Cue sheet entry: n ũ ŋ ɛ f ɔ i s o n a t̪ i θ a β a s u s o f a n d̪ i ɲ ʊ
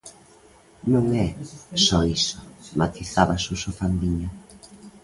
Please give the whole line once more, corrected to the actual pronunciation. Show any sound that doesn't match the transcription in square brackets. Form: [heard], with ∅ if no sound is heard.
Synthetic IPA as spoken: n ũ ŋ ɛ [s] ɔ i s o [m] a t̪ i θ a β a s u s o f a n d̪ i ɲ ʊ